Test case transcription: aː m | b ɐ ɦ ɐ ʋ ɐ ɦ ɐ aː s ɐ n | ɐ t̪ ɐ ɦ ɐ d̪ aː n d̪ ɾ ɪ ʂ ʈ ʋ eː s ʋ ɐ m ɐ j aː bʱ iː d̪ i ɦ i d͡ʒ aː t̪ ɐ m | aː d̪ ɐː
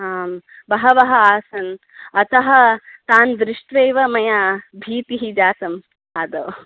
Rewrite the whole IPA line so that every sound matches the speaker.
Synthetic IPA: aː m | b ɐ ɦ ɐ ʋ ɐ ɦ ɐ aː s ɐ n | ɐ t̪ ɐ ɦ ɐ t̪ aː n d̪ ɾ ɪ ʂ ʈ ʋ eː ʋ ɐ m ɐ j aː bʱ iː t̪ i ɦ i d͡ʒ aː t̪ ɐ m | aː d̪ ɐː